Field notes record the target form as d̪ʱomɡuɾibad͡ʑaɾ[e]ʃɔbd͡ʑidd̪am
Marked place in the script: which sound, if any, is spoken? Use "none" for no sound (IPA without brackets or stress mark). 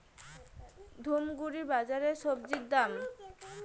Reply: e